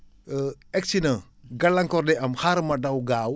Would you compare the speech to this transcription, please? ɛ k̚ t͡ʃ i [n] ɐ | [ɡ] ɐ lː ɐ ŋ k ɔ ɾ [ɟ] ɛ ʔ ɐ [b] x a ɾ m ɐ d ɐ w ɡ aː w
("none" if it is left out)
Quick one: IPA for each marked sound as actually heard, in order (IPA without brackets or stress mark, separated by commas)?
n, ɡ, d, m